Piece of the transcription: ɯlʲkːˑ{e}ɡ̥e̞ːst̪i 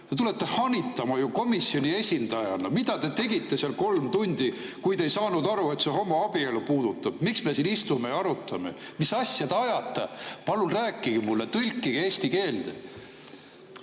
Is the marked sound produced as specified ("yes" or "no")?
no